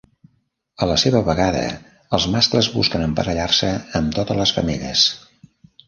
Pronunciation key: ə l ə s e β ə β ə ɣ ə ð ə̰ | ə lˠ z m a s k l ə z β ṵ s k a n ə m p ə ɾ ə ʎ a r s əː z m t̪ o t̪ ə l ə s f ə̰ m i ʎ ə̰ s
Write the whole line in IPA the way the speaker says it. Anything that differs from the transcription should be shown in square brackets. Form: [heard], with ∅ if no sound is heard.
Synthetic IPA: ə l ə s e β ə β ə ɣ [a] ð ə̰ | ə lˠ z m a s k l ə z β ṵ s k [ə] n ə m p ə ɾ ə ʎ a r s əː [∅] m t̪ o t̪ ə l ə s f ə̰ m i ʎ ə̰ s